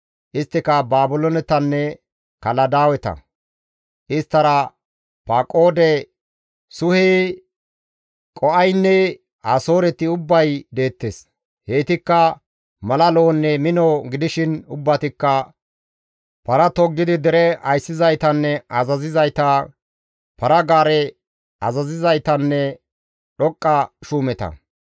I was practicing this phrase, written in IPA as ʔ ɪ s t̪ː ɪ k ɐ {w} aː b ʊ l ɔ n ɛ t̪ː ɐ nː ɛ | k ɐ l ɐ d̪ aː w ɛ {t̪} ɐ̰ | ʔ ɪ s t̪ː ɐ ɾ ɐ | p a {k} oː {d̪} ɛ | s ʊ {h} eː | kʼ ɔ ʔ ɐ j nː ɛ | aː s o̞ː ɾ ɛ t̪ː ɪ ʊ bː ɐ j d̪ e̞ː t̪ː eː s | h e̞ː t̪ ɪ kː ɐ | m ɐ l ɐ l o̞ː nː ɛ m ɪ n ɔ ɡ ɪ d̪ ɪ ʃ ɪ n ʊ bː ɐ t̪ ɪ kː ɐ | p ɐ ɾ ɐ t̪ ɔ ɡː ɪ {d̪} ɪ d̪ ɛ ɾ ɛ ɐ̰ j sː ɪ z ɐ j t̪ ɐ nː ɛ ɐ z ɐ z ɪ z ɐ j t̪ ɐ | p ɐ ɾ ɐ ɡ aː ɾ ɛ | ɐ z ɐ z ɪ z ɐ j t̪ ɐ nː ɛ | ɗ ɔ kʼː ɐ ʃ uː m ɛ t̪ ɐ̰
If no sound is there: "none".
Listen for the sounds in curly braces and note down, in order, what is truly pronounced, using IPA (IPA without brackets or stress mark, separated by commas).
b, t̪, kʼ, d̪, h, d̪